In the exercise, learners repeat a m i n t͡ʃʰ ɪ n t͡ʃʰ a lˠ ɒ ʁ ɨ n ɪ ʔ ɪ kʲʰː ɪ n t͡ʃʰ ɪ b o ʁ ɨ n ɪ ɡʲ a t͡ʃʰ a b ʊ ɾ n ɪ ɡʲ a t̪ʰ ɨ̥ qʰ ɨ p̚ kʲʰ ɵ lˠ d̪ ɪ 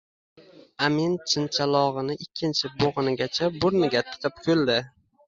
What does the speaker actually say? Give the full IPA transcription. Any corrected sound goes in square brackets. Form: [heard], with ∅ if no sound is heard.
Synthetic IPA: a m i n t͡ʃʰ ɪ n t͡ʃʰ a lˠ ɒ ʁ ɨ n ɪ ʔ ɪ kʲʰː ɪ n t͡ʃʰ ɪ b o ʁ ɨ n ɪ ɡʲ a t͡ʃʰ a b ʊ ɾ n ɪ ɡʲ a t̪ʰ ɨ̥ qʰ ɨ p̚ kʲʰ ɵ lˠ d̪ ɪ